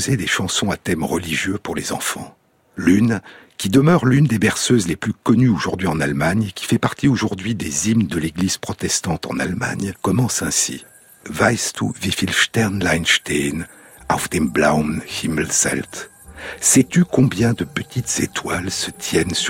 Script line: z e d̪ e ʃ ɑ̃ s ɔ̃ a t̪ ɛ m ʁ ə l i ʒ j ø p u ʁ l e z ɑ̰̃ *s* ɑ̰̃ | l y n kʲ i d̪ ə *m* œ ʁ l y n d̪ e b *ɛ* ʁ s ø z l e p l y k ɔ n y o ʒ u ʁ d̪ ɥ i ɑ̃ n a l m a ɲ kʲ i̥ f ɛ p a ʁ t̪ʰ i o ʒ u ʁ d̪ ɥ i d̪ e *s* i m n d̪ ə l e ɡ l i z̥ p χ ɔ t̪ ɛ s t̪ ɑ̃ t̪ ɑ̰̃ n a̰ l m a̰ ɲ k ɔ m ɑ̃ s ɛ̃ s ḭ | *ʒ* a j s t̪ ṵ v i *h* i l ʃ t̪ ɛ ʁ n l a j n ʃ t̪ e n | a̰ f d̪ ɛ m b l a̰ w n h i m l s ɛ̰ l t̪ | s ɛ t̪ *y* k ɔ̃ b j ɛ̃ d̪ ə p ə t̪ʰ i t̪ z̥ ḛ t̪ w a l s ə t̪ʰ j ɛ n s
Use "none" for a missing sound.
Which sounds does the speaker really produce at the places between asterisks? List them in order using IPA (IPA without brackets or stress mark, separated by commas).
f, m, ɛ, z, v, f, y